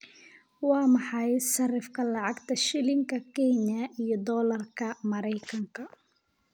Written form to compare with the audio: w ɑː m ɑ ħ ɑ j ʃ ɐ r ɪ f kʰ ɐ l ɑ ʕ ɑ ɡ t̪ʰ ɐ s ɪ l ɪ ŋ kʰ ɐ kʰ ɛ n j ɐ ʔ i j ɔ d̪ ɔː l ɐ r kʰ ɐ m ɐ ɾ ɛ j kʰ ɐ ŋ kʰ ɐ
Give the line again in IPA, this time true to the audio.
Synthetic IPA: w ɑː m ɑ ħ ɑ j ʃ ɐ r ɪ f kʰ ɐ l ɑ ʕ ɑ ɡ t̪ʰ ɐ ʃ ɪ l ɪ ŋ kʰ ɐ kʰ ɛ n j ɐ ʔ i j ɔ d̪ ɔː l ɐ r kʰ ɐ m ɐ ɾ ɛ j kʰ ɐ ŋ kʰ ɐ